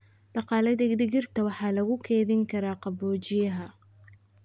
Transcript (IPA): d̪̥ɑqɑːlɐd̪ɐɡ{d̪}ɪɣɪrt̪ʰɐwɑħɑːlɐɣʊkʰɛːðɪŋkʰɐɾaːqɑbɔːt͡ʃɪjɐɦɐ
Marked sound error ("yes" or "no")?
no